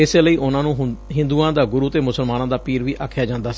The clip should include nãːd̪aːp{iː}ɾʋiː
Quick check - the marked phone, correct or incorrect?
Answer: correct